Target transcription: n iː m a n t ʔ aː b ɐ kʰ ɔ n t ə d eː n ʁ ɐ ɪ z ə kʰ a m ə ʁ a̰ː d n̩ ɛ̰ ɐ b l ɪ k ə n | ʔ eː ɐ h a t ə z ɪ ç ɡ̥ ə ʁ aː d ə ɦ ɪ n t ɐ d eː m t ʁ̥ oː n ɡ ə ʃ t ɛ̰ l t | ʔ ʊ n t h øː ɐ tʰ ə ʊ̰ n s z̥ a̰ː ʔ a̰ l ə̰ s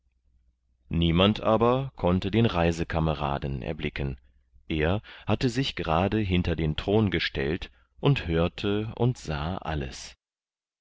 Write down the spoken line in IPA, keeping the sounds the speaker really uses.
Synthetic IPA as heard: n iː m a n t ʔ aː b ɐ kʰ ɔ n t ə d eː n ʁ a ɪ z ə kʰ a m ə ʁ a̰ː d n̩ ɛ̰ ɐ b l ɪ k ə n | ʔ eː ɐ h a t ə z ɪ ç ɡ̥ ə ʁ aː d ə ɦ ɪ n t ɐ d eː n t ʁ̥ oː n ɡ ə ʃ t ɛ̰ l t | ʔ ʊ n t h øː ɐ tʰ ə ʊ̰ n t z̥ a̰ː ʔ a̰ l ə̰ s